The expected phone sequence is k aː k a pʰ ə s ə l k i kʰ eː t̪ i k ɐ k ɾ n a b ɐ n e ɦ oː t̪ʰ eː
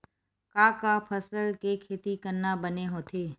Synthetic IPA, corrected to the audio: k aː k a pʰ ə s ə l k e kʰ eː t̪ i k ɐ ɾ n a b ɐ n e ɦ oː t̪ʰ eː